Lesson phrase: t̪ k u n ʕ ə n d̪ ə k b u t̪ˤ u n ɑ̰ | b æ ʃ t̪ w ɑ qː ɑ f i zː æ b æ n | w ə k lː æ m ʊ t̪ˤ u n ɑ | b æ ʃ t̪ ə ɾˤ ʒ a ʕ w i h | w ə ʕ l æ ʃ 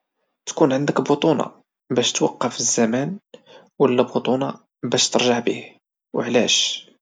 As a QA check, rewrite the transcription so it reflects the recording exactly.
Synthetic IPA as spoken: t̪ k u n ʕ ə n d̪ ə k b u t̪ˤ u n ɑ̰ | b æ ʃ t̪ w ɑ qː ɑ f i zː æ m æ n | w ə lː æ b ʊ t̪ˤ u n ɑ | b æ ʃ t̪ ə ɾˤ ʒ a ʕ b i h | w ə ʕ l æ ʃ